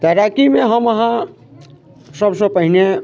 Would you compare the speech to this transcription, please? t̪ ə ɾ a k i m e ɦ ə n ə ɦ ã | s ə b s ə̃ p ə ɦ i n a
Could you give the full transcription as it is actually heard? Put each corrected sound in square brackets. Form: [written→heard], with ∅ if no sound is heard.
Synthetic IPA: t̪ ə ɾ a k i m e ɦ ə [n→m] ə ɦ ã | s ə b s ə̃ p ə ɦ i n [a→e]